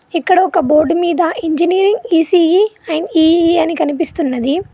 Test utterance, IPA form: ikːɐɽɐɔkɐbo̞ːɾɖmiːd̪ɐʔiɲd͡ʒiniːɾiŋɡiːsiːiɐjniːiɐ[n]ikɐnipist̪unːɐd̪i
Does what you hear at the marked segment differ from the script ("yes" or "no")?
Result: no